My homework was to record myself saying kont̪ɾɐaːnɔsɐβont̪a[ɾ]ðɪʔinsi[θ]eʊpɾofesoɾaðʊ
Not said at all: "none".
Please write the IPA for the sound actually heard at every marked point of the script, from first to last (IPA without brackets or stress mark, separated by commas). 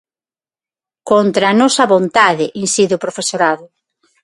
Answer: none, ð